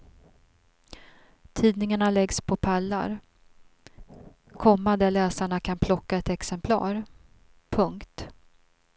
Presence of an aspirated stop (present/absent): present